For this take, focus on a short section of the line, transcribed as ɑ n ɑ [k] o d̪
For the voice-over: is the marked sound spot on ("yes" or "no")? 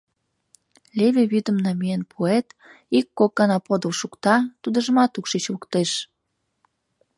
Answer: no